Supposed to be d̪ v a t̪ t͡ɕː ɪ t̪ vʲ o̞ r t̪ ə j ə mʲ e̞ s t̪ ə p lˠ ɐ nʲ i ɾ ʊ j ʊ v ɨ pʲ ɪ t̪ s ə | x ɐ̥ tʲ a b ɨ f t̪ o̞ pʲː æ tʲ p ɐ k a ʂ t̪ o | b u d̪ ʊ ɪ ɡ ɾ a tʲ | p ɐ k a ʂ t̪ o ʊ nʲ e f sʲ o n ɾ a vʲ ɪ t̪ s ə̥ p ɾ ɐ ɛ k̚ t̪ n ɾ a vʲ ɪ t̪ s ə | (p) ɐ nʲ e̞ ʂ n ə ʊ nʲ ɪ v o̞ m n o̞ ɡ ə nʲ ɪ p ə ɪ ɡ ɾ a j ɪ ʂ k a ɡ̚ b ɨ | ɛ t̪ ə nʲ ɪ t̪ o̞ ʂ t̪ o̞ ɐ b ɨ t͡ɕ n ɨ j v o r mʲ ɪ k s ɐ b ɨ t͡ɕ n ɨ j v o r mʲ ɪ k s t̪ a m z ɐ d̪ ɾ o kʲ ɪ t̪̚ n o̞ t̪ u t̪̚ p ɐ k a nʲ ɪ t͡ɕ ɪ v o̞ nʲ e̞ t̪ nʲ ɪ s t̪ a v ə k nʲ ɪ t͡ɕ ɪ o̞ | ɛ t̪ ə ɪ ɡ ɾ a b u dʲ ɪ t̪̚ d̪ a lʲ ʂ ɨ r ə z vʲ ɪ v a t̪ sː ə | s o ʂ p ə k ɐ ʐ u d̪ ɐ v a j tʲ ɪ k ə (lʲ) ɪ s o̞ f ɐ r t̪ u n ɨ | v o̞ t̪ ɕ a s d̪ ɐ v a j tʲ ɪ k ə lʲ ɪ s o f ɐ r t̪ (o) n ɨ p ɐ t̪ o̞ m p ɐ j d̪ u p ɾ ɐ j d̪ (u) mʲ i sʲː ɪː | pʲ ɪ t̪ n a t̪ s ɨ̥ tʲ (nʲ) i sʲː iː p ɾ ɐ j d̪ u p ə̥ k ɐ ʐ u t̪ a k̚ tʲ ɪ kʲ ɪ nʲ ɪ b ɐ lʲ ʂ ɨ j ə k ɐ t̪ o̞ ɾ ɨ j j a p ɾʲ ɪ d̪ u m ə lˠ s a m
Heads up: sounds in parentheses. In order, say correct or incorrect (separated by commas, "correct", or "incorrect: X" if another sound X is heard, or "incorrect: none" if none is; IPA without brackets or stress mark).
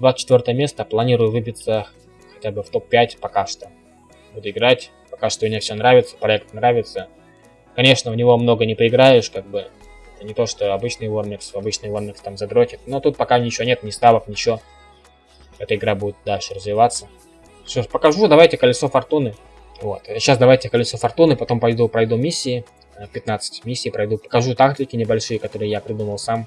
incorrect: k, correct, incorrect: u, correct, incorrect: mʲ